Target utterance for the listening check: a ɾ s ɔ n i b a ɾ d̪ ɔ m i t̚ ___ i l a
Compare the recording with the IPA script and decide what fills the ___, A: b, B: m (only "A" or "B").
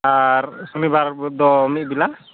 A